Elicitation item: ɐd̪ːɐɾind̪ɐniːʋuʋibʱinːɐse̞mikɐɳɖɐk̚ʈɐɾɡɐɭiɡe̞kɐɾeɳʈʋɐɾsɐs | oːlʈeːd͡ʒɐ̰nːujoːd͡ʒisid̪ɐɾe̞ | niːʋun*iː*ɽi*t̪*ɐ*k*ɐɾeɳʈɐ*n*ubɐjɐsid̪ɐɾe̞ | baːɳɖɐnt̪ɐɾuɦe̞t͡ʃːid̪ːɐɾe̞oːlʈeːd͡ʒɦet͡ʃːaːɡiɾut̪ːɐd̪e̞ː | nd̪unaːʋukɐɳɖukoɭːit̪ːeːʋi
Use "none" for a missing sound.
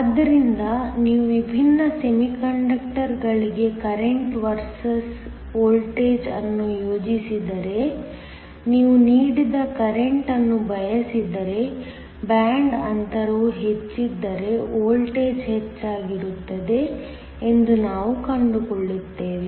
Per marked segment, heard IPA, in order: iː, d̪, k, nː

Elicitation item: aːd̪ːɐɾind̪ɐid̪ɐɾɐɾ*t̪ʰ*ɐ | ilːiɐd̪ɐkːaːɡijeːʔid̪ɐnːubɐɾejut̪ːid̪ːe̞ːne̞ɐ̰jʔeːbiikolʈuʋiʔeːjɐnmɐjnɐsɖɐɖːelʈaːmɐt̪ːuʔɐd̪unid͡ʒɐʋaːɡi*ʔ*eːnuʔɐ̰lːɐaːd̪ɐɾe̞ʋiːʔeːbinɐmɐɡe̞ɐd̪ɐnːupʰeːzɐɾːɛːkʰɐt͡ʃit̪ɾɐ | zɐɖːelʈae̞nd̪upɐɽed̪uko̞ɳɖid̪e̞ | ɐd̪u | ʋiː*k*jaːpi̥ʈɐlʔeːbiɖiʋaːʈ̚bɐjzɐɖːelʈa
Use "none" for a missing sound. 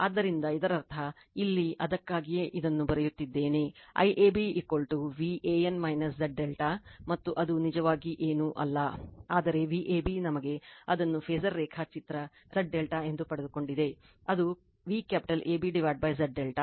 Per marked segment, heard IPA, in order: t̪ʰ, ʔ, k

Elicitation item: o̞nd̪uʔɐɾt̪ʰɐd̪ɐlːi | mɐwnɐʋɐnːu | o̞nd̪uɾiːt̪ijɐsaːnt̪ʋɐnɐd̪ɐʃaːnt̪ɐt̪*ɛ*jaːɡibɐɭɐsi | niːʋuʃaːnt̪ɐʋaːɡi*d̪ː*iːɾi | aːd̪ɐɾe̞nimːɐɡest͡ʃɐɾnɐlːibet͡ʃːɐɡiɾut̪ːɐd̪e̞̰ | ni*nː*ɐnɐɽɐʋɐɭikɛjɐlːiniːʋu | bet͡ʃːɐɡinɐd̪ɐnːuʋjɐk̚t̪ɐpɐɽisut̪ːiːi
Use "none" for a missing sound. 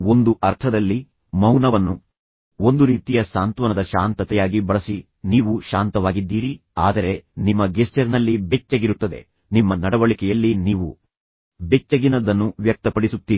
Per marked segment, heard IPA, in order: ɛ, d̪ː, mː

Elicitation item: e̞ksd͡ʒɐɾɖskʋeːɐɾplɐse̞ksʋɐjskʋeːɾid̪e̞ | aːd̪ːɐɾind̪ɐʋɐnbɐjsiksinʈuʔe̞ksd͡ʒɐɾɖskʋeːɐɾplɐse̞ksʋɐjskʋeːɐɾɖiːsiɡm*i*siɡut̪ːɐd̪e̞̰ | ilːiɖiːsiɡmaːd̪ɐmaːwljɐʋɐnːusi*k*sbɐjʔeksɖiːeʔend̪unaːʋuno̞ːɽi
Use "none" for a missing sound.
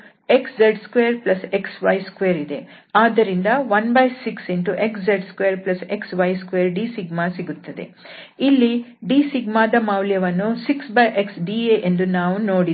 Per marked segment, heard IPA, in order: a, k

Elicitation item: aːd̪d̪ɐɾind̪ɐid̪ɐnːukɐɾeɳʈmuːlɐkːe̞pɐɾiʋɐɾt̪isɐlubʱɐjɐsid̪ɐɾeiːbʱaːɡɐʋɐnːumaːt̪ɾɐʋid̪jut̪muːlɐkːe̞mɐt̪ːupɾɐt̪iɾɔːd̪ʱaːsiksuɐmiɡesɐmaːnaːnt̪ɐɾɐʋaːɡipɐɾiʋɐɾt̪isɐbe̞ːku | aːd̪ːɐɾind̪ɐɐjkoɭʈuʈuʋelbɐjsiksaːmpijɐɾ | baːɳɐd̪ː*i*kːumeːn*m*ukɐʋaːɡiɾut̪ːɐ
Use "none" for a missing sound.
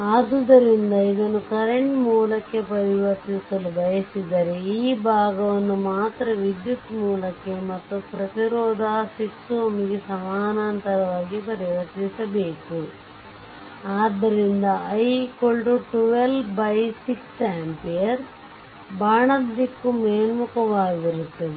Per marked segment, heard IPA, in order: i, m

